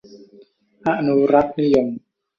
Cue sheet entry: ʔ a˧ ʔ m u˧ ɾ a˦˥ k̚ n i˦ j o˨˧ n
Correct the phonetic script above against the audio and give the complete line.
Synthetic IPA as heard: ʔ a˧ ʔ n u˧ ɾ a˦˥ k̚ n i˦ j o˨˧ m